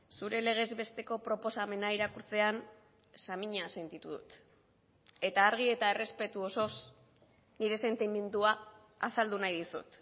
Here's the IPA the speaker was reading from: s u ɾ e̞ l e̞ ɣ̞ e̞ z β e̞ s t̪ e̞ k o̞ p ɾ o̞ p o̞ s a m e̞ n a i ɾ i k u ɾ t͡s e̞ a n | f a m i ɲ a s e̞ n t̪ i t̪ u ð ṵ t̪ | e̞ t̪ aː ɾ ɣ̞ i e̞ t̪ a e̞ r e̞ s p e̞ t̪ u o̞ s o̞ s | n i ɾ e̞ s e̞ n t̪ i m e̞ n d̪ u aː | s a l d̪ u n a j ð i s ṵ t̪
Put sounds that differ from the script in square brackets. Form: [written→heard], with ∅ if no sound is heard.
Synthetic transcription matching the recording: s u ɾ e̞ l e̞ ɣ̞ e̞ z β e̞ s t̪ e̞ k o̞ p ɾ o̞ p o̞ s a m e̞ n a i ɾ [i→a] k u ɾ t͡s e̞ a n | [f→s] a m i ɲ a s e̞ n t̪ i t̪ u ð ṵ t̪ | e̞ t̪ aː ɾ ɣ̞ i e̞ t̪ a e̞ r e̞ s p e̞ t̪ u o̞ s o̞ s | n i ɾ e̞ s e̞ n t̪ i m e̞ n d̪ u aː | s a l d̪ u n a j ð i s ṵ t̪